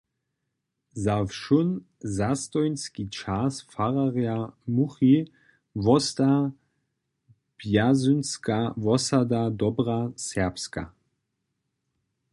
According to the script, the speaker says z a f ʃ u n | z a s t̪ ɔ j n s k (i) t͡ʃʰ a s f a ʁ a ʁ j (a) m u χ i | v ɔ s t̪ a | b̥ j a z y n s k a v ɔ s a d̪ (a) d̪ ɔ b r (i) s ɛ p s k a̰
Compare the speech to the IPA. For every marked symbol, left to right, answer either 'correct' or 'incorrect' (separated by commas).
correct, correct, correct, incorrect